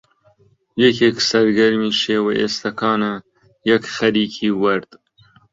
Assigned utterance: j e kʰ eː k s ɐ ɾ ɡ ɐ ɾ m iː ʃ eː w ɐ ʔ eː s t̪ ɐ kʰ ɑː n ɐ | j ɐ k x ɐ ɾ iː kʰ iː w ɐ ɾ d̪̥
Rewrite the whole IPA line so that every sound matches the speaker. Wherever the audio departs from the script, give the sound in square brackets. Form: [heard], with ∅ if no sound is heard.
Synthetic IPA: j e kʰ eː k s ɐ ɾ ɡ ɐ ɾ m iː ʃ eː w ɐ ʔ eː s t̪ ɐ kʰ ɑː n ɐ | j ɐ k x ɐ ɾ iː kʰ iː w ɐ ɾ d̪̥